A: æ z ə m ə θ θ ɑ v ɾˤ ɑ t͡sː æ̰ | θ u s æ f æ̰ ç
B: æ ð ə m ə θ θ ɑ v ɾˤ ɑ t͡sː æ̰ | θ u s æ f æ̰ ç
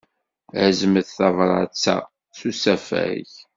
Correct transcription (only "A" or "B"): A